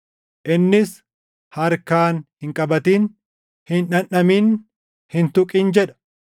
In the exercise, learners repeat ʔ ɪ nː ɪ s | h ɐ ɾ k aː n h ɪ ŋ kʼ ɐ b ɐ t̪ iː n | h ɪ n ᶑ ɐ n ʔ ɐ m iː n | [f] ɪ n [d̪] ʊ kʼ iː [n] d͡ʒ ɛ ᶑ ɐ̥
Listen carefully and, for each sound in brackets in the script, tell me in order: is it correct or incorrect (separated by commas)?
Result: incorrect, incorrect, correct